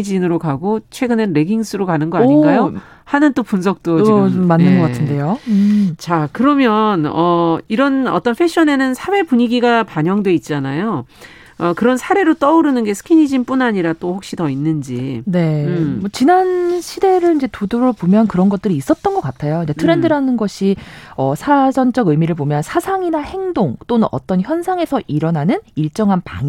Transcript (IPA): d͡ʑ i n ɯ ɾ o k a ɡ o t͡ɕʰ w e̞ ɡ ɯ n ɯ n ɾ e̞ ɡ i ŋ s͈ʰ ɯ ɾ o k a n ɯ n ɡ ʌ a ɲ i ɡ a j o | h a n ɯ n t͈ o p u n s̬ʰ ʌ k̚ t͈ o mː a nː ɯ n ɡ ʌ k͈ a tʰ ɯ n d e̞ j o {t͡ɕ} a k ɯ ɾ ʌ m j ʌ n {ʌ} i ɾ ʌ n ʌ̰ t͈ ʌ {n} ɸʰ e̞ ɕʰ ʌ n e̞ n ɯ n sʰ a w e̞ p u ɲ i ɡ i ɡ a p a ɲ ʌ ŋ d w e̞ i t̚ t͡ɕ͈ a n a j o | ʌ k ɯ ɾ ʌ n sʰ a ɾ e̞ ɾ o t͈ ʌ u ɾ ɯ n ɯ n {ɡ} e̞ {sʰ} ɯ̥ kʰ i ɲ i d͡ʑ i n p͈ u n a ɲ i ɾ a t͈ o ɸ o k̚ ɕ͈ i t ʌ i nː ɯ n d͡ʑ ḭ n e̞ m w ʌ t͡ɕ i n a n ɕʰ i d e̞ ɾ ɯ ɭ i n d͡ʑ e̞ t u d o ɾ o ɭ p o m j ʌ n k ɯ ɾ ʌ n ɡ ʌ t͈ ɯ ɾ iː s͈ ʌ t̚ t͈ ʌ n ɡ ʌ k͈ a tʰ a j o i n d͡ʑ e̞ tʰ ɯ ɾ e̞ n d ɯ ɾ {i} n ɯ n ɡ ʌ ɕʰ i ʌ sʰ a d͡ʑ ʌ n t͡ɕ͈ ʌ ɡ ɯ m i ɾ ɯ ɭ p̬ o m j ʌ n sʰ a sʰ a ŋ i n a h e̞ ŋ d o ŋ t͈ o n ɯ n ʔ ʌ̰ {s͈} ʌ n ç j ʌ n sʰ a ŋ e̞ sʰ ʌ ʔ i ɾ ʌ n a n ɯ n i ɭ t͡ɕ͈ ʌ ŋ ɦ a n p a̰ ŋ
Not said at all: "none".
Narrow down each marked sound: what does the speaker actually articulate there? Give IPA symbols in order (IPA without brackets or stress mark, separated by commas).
t͡ɕ, ʌ, n, ɡ, sʰ, a, t͈